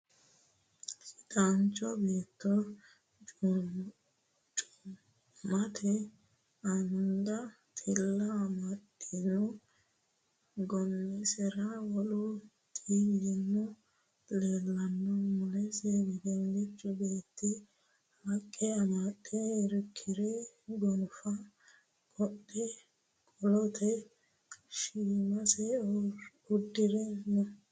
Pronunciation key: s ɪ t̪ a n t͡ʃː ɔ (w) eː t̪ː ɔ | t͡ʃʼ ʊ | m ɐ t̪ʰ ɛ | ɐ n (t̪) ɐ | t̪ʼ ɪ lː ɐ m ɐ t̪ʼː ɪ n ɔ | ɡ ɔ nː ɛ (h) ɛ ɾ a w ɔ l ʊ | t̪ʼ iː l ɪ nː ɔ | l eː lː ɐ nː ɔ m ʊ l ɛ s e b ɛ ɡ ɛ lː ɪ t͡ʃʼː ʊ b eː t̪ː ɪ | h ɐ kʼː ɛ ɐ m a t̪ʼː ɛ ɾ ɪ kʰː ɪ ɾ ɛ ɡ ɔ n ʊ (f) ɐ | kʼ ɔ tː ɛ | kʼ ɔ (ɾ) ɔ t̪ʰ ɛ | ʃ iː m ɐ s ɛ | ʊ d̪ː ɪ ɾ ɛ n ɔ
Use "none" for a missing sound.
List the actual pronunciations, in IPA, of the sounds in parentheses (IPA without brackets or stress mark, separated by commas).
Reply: b, d̪, s, f, l